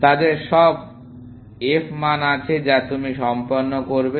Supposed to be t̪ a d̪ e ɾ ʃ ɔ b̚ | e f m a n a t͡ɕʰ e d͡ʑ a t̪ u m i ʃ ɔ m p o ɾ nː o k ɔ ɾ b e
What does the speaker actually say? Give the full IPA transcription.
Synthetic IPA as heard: t̪ a d̪ e ɾ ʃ ɔ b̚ | e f m a n a t͡ɕʰ e d͡ʑ a t̪ u m i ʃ ɔ m p o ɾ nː o k o ɾ b e